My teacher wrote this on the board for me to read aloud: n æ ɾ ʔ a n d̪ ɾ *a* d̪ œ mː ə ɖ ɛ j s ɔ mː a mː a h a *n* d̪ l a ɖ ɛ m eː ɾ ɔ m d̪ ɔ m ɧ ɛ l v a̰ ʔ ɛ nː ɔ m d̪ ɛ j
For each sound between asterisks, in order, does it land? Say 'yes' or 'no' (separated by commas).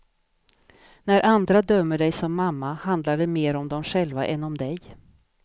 yes, yes